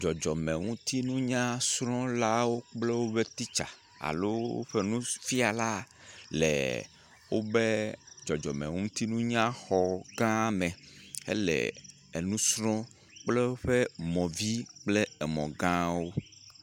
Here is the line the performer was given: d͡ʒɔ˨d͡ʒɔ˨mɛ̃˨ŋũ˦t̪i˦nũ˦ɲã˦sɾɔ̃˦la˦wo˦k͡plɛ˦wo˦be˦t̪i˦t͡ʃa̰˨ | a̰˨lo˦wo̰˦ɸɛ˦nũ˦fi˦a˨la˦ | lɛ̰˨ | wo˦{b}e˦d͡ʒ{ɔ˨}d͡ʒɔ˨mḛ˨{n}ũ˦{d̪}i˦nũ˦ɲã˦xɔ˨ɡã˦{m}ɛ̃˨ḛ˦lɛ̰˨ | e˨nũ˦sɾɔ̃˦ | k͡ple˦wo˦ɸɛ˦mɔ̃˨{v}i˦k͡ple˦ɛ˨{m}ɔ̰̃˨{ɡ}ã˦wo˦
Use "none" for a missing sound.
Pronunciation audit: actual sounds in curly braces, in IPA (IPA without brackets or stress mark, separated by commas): b, ɔ˨, ŋ, t̪, m, v, m, ɡ